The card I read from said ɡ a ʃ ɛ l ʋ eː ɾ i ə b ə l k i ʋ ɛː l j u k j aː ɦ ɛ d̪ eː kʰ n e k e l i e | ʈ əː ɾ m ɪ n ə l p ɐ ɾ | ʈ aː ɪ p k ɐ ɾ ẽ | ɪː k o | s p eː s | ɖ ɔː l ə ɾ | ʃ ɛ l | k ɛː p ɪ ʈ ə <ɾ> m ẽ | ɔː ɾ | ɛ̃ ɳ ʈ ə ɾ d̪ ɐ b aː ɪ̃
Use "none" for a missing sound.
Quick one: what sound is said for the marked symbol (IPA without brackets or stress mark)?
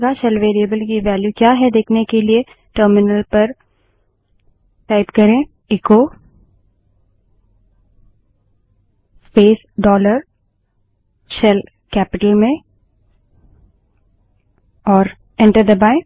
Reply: l